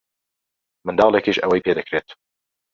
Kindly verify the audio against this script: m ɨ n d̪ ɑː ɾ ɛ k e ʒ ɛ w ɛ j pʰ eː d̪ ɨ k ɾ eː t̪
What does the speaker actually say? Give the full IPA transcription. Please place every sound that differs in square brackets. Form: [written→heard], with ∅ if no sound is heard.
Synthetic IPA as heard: m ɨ n d̪ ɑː [ɾ→l] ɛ k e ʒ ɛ w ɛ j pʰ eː d̪ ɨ k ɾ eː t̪